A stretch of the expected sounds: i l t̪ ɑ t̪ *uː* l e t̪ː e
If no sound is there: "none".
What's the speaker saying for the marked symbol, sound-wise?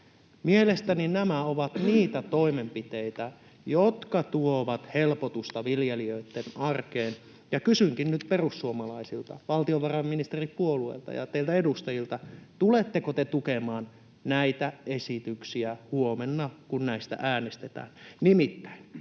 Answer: u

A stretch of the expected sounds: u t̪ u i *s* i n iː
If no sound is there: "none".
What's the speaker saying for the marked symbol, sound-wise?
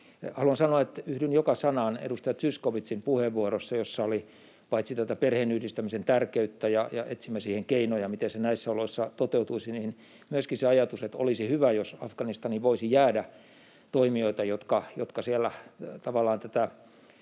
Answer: s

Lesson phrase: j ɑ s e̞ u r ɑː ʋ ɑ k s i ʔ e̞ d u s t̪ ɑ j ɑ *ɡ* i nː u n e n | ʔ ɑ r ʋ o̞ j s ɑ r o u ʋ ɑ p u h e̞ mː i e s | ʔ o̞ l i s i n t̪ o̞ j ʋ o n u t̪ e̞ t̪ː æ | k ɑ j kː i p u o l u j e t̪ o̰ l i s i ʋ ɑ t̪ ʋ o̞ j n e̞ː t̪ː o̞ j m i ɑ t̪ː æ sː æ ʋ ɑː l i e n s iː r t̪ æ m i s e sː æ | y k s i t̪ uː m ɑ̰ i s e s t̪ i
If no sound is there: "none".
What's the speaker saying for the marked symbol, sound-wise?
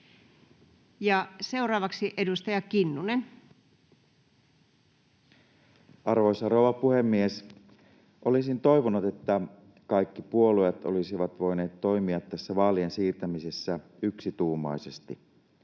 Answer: k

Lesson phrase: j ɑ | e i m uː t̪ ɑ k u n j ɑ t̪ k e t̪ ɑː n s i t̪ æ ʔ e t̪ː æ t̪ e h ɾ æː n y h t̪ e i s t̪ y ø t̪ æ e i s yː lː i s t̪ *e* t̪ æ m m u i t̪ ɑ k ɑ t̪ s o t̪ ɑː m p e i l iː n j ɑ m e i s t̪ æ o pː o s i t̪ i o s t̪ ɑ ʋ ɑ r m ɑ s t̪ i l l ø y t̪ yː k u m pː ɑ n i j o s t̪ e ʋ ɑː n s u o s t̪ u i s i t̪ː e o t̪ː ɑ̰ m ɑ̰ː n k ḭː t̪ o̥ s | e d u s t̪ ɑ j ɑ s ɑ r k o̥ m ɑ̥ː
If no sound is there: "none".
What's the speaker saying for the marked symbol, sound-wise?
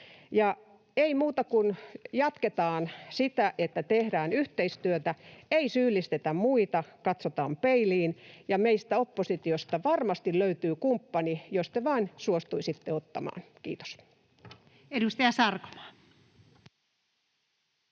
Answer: e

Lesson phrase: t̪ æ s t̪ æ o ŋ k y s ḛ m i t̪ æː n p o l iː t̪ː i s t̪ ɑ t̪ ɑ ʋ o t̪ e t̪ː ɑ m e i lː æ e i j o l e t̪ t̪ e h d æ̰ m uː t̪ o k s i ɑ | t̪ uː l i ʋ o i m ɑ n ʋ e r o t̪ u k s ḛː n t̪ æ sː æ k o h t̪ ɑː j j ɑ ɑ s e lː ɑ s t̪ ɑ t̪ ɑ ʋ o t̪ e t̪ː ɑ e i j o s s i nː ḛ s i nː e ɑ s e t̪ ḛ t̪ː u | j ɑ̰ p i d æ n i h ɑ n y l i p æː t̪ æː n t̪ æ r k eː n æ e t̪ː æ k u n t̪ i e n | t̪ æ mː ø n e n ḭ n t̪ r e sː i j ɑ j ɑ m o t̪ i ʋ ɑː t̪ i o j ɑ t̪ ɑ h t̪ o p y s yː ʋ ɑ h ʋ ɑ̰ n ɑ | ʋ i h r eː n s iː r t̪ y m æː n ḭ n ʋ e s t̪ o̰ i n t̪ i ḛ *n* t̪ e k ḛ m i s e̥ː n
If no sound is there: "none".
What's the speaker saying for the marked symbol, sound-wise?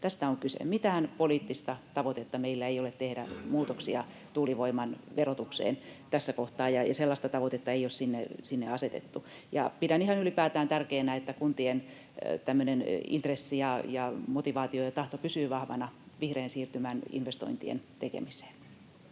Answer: n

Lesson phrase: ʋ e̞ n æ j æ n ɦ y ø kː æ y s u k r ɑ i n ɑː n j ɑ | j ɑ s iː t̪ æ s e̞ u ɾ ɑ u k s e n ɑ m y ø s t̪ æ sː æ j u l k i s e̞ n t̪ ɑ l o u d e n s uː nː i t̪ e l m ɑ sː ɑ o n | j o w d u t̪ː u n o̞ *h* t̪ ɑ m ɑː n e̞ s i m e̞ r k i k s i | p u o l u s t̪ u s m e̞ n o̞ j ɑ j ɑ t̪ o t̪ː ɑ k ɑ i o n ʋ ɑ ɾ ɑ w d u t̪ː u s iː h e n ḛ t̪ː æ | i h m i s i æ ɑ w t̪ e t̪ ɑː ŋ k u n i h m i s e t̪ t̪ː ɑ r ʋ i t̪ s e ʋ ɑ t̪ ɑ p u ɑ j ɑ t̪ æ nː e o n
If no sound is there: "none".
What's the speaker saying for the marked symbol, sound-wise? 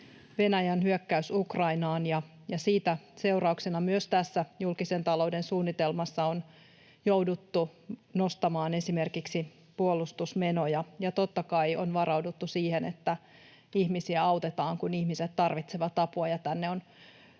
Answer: s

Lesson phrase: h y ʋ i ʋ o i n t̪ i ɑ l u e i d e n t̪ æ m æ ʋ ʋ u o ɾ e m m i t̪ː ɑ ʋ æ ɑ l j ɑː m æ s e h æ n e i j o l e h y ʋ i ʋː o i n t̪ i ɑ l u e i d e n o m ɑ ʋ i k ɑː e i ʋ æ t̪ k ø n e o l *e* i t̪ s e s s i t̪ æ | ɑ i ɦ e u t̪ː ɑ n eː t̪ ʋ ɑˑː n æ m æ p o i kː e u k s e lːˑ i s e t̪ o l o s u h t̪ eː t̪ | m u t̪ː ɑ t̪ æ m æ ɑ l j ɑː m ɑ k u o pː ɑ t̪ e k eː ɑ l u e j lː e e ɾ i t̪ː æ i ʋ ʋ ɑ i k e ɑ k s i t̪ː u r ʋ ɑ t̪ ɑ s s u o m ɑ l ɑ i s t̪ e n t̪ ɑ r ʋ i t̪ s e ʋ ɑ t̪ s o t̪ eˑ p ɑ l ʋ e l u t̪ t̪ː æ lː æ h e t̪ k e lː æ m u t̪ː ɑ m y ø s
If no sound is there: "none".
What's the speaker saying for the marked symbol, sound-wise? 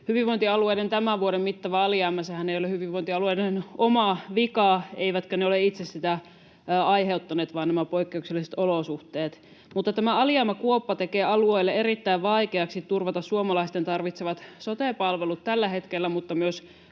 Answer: e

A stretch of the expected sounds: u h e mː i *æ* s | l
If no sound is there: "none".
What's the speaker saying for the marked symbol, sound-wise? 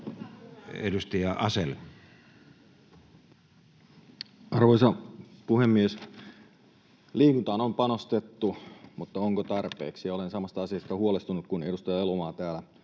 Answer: e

